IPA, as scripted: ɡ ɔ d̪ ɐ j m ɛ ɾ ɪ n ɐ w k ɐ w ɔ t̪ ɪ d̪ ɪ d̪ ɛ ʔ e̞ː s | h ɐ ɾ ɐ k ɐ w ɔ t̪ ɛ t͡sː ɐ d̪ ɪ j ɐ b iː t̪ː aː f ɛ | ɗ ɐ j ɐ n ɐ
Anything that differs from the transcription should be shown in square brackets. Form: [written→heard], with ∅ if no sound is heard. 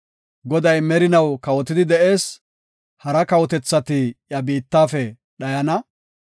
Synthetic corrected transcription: ɡ ɔ d̪ ɐ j m ɛ ɾ ɪ n ɐ w k ɐ w ɔ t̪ ɪ d̪ ɪ d̪ ɛ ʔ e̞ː s | h ɐ ɾ ɐ k ɐ w ɔ t̪ ɛ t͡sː ɐ [d̪→t̪] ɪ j ɐ b iː t̪ː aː f ɛ | ɗ ɐ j ɐ n ɐ